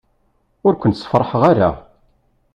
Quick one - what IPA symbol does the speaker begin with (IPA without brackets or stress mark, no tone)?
ʊ